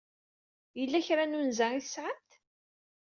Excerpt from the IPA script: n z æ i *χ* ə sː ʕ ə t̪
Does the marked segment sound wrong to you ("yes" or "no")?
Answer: yes